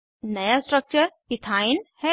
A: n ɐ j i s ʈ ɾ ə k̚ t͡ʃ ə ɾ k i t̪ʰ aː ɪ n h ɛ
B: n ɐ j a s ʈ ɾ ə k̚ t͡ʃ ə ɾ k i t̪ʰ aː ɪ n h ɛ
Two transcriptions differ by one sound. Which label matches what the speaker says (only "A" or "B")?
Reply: B